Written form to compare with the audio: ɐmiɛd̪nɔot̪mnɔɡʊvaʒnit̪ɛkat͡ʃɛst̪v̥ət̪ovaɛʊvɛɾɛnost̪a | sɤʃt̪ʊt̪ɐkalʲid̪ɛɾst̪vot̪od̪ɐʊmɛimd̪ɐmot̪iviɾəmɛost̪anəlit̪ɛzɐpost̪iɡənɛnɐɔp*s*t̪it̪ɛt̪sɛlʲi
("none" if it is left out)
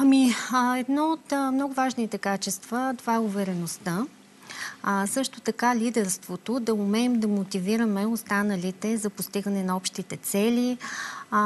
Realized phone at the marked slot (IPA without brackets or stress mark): ʃ